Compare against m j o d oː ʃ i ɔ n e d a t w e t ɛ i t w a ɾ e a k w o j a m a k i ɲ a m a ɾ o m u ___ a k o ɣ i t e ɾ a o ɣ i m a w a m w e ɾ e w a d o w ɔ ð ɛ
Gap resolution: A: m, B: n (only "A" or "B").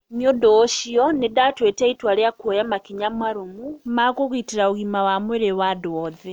A